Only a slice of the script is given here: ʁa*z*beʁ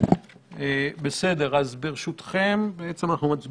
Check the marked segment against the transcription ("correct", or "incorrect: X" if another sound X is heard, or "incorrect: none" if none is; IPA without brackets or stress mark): correct